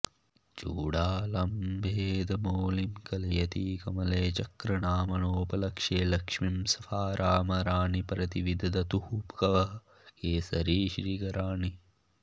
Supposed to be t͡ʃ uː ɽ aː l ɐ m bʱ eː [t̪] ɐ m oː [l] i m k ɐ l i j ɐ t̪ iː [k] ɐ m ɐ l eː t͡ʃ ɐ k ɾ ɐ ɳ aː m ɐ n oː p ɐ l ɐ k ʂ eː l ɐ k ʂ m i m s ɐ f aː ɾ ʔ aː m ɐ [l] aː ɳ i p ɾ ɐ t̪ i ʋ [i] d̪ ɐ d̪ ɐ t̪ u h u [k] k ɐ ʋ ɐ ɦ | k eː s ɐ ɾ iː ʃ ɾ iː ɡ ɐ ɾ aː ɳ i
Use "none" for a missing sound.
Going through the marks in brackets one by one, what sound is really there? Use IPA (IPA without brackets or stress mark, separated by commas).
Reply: d̪, l, k, ɾ, i, p